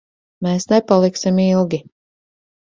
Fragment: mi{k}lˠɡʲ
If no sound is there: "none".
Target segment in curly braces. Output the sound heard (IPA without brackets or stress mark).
none